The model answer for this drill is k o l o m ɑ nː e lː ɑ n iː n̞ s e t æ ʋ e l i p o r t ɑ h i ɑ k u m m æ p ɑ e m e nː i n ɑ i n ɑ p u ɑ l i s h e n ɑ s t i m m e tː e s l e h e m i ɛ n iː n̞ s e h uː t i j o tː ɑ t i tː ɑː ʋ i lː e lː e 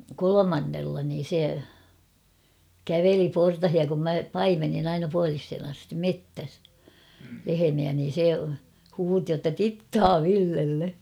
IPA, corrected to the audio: k o l o m ɑ nː e lː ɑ n iː n̞ s e k æ ʋ e l i p o r t ɑ h i ɑ k u m m æ p ɑ i m e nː i n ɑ i n ɑ p u ɑ l i s h e n ɑ s t i m m e tː æ s l e h e m i æ n iː n̞ s e h uː t i j o tː ɑ t i tː ɑː ʋ i lː e lː e